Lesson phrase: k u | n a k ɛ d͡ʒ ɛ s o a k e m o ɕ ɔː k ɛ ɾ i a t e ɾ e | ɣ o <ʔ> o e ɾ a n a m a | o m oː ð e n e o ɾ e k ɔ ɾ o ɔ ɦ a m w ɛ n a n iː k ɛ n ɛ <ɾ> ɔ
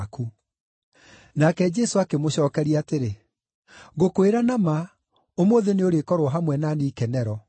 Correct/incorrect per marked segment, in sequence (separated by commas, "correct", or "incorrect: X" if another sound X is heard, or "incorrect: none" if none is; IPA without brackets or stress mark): incorrect: k, correct